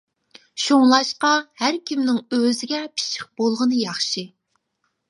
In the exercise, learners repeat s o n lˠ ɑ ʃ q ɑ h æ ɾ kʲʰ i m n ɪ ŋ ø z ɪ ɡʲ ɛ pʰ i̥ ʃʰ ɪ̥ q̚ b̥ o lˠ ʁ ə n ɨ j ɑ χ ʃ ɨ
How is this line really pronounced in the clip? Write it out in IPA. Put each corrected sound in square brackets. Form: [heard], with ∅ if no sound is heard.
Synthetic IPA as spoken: [ʃ] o [ŋ] lˠ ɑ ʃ q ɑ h æ ɾ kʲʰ i m n ɪ ŋ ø z ɪ ɡʲ ɛ pʰ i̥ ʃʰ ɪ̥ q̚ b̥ o lˠ ʁ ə n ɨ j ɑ χ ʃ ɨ